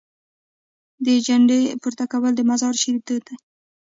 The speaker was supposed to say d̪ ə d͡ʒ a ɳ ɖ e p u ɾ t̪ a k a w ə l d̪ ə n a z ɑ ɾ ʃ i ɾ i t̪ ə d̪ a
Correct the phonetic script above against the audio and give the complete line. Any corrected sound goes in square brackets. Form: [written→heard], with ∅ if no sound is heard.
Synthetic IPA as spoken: d̪ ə d͡ʒ a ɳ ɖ e p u ɾ t̪ a k a w ə l d̪ ə [n→m] a z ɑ ɾ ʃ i ɾ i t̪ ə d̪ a